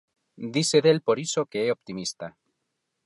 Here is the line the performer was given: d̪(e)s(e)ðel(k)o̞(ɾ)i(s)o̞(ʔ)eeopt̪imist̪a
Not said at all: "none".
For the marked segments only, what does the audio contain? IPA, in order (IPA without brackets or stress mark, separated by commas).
i, e, p, ɾ, s, k